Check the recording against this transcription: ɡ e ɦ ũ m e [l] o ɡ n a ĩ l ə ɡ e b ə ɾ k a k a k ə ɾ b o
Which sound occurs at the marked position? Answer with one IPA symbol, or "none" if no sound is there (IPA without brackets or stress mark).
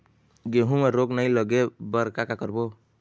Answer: ɾ